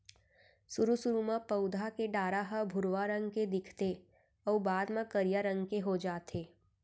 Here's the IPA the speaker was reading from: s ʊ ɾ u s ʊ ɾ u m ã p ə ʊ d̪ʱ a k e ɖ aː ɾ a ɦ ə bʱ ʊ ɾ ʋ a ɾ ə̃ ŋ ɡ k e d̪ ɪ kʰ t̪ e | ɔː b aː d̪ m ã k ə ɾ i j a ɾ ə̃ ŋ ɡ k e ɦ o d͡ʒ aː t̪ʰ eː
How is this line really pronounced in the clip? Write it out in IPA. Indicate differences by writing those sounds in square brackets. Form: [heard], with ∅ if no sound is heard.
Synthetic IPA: s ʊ ɾ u s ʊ ɾ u m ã p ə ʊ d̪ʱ a k e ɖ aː ɾ a ɦ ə bʱ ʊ ɾ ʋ a ɾ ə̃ ŋ ɡ k e d̪ ɪ kʰ t̪ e | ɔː b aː d̪ m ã k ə ɾ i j a ɾ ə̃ ŋ ɡ k e ɦ o d͡ʒ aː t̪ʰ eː